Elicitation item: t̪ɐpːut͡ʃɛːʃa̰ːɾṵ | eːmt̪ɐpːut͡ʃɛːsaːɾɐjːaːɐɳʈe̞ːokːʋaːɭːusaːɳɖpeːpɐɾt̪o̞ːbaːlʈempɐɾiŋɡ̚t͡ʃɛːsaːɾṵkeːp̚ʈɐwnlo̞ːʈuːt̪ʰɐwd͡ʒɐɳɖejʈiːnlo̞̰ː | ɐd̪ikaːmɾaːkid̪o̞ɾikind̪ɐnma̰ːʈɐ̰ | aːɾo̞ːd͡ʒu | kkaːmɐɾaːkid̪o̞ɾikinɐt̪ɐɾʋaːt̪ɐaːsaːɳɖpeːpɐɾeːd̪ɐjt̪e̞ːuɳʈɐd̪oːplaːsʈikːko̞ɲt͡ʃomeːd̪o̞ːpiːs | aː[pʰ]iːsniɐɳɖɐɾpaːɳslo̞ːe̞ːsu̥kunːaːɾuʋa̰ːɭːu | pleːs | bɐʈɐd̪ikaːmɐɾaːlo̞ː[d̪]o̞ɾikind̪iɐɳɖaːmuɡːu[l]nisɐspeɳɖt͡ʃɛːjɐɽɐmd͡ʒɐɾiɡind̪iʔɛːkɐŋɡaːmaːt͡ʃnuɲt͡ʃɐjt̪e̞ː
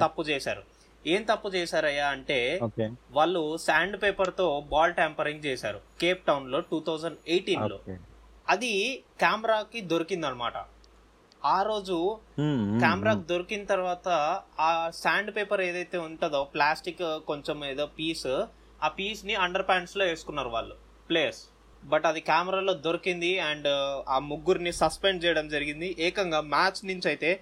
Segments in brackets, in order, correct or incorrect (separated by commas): incorrect, correct, incorrect